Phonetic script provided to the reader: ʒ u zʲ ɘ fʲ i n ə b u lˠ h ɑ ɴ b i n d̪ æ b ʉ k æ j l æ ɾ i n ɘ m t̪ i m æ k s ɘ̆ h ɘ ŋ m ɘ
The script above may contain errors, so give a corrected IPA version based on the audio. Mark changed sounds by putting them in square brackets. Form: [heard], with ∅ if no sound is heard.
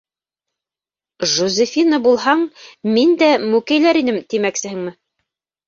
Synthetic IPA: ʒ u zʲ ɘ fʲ i n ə b u lˠ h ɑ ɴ [m] i n d̪ æ [m] ʉ k æ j l æ ɾ i n ɘ m t̪ i m æ k s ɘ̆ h ɘ ŋ m ɘ